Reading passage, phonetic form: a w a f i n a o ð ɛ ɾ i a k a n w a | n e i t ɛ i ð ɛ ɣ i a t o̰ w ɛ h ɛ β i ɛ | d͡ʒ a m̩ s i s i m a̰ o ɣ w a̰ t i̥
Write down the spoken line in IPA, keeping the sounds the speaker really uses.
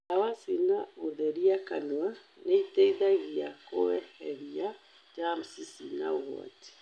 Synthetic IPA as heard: a w a s i n a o ð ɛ ɾ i a k a n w a | n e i t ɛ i ð a ɣ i a k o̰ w ɛ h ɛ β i a | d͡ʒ a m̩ s i s i n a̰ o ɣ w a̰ t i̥